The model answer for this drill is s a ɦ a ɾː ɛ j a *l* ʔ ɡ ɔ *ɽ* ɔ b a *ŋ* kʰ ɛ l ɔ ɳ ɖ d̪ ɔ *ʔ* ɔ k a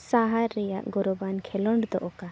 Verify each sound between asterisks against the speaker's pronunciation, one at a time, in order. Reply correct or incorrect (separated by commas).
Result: incorrect, incorrect, incorrect, correct